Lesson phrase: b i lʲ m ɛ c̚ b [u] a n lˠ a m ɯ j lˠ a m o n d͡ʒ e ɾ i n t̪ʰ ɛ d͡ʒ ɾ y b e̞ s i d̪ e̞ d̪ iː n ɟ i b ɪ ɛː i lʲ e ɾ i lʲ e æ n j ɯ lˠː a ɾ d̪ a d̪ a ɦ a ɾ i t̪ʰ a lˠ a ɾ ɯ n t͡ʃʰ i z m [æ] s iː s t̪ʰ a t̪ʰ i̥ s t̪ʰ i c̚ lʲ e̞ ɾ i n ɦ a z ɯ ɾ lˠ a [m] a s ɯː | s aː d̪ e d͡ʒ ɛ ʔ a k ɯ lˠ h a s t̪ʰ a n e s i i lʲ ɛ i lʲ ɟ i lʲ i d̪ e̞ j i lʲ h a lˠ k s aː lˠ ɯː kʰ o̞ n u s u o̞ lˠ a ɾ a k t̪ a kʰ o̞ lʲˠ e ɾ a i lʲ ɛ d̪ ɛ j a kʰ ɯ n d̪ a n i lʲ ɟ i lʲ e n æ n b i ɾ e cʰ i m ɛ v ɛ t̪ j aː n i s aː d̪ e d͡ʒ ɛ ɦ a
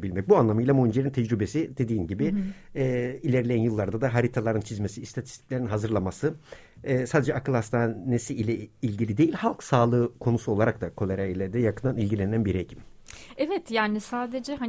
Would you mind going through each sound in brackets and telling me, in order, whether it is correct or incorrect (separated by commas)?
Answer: correct, incorrect, correct